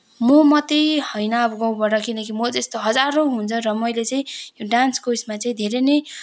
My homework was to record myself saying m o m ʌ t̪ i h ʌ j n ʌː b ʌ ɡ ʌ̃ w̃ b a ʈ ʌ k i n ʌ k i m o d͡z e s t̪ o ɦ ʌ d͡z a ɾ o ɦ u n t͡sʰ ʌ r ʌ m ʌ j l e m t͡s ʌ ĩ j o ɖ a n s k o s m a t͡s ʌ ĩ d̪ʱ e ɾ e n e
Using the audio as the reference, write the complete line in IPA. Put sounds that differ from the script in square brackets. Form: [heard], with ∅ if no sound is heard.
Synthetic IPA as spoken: m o m ʌ t̪ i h ʌ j n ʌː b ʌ ɡ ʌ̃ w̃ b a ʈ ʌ k i n ʌ k i m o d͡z e s t̪ o ɦ ʌ d͡z a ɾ o ɦ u n t͡sʰ ʌ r ʌ m ʌ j l e [∅] t͡s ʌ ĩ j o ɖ a n s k o s m a t͡s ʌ ĩ d̪ʱ e ɾ e n e